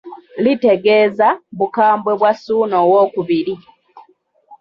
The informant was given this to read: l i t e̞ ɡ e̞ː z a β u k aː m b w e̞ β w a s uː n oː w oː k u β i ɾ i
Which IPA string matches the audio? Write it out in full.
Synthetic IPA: l i t e̞ ɡ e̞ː z a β u k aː m b w e̞ β w a s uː n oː w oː k u β i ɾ i